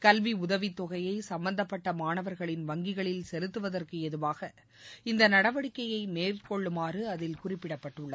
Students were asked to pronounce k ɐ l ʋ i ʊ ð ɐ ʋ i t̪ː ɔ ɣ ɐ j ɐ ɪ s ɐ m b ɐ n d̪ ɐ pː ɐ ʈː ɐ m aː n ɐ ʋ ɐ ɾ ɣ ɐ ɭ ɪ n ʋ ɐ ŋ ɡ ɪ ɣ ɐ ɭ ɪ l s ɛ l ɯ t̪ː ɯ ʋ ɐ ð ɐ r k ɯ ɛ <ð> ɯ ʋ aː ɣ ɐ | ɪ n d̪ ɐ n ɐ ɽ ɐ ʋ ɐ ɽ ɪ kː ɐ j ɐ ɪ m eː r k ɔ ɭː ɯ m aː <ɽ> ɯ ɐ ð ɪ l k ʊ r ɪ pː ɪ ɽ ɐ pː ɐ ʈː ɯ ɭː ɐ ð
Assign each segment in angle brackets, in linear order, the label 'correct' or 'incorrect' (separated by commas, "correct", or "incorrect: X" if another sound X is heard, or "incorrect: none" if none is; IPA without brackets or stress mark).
correct, incorrect: r